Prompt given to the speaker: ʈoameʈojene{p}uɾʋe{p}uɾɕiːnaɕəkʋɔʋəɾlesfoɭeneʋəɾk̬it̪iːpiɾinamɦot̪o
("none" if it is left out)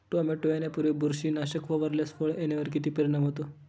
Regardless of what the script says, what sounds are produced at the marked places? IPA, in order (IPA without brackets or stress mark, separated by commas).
p, b